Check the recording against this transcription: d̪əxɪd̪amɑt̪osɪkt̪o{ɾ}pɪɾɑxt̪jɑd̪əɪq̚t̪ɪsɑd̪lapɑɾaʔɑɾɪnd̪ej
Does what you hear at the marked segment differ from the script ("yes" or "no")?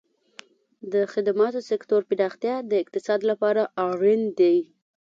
no